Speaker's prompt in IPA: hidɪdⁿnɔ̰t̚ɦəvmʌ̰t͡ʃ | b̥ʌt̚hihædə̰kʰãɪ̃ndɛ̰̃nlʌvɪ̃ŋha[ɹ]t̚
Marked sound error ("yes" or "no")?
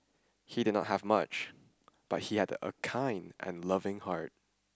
no